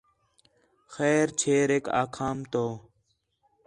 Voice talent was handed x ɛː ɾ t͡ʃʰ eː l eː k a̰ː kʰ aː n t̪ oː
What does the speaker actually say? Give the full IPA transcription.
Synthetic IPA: x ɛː ɾ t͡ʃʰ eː ɾ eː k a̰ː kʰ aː m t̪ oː